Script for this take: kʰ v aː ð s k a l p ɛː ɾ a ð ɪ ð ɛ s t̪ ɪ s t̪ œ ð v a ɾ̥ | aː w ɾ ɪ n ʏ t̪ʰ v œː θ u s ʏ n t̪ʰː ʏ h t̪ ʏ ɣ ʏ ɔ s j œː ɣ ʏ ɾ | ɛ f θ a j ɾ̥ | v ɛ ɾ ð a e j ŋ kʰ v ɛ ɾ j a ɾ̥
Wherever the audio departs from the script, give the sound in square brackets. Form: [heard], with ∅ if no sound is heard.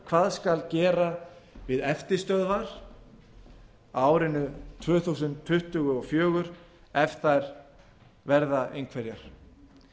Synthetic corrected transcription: kʰ v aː ð s k a l [c] ɛː ɾ a [v] ɪ ð ɛ [f] t̪ ɪ s t̪ œ ð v a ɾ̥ | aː w ɾ ɪ n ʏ t̪ʰ v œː θ u s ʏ n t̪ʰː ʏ h t̪ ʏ ɣ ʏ ɔ [f] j œː ɣ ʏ ɾ | ɛ f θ a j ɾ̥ | v ɛ ɾ ð a e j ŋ kʰ v ɛ ɾ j a ɾ̥